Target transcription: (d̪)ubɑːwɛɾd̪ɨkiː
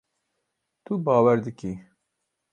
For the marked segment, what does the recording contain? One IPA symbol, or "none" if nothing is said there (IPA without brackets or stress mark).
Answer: t̪